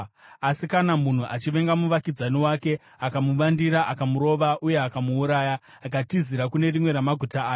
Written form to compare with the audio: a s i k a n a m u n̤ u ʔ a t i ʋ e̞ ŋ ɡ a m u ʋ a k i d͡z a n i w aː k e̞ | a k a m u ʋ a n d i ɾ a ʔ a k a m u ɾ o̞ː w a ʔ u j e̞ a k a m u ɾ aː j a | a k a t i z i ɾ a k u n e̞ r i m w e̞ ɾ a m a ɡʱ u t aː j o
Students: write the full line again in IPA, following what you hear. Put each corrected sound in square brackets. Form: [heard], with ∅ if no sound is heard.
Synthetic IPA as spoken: a s i k a n a m u n̤ u ʔ a [t͡ʃ] i ʋ e̞ ŋ ɡ a m u ʋ a k i d͡z a n i w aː k e̞ | a k a m u ʋ a n d i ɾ a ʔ a k a m u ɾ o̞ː [ʋ] a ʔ u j e̞ a k a m [uː] ɾ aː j a | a k a t i z i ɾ a k u n e̞ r i m w e̞ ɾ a m a ɡʱ u t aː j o